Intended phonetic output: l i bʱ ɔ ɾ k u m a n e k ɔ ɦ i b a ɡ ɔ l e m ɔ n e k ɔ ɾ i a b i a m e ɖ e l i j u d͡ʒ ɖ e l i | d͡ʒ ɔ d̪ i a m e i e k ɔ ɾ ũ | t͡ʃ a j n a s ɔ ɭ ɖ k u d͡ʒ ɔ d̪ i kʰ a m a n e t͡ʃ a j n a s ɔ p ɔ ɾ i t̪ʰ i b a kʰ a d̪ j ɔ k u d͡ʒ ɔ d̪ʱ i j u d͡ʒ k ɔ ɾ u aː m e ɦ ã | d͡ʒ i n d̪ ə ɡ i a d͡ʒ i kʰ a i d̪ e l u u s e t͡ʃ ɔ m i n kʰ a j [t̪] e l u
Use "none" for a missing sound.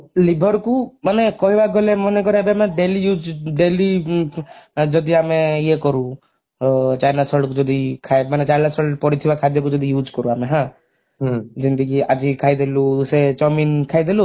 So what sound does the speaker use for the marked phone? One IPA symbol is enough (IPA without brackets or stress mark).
d̪